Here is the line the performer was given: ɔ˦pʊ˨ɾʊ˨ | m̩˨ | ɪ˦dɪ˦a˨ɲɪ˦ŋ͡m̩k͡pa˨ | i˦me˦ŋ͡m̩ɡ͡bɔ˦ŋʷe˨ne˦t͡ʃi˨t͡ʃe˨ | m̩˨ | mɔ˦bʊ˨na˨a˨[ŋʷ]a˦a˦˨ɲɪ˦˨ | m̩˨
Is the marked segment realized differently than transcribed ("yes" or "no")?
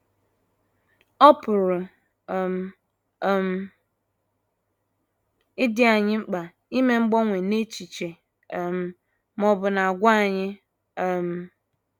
yes